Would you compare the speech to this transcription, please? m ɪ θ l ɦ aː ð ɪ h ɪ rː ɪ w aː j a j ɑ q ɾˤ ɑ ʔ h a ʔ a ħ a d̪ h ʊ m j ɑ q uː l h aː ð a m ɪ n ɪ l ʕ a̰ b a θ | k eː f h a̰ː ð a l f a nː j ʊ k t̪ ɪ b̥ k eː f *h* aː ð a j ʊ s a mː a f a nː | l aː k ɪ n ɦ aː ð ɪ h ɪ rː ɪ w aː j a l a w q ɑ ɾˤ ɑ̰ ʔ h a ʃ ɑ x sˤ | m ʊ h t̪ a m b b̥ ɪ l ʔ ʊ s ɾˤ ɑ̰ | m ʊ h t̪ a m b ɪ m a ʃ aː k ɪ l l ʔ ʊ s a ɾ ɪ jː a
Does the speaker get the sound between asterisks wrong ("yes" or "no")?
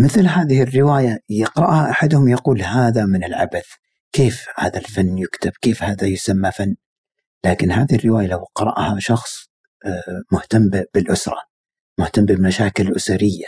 no